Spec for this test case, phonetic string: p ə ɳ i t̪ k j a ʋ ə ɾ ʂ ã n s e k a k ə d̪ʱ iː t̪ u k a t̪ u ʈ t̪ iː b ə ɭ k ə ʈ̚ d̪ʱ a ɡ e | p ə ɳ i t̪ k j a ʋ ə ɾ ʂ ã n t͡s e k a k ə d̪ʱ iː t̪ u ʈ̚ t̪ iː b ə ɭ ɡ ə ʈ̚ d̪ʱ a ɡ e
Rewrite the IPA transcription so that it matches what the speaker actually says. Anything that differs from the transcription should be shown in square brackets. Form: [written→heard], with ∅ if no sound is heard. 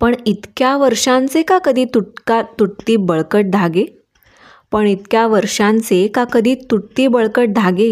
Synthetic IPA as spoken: p ə ɳ i t̪ k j a ʋ ə ɾ ʂ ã n [s→t͡s] e k a k ə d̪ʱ iː t̪ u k a t̪ u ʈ t̪ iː b ə ɭ k ə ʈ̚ d̪ʱ a ɡ e | p ə ɳ i t̪ k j a ʋ ə ɾ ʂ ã n t͡s e k a k ə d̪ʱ iː t̪ u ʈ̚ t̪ iː b ə ɭ [ɡ→k] ə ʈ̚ d̪ʱ a ɡ e